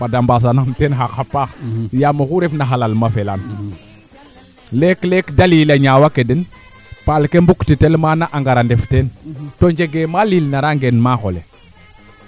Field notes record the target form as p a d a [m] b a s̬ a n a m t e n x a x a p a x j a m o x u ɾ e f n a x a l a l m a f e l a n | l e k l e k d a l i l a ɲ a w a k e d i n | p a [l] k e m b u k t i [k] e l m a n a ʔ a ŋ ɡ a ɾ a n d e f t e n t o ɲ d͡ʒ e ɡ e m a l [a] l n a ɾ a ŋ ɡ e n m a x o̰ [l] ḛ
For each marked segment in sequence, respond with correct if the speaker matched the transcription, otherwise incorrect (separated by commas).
correct, correct, incorrect, incorrect, correct